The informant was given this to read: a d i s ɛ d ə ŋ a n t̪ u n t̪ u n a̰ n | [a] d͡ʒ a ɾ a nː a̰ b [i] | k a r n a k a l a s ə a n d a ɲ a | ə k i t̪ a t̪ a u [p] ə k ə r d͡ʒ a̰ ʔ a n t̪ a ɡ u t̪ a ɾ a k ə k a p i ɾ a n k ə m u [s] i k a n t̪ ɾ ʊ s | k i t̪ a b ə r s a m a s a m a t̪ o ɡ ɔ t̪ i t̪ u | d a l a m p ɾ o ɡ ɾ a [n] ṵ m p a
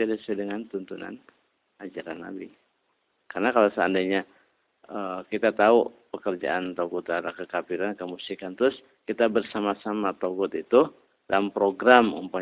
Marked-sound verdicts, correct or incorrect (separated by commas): correct, correct, correct, correct, incorrect